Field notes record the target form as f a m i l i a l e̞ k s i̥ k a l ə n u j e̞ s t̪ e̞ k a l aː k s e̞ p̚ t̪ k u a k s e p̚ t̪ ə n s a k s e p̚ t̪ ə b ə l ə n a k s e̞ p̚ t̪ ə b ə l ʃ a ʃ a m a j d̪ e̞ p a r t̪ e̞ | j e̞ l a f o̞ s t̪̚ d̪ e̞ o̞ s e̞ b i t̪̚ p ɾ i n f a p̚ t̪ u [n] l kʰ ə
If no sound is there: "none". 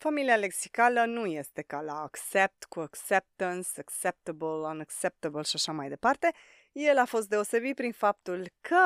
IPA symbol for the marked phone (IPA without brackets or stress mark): none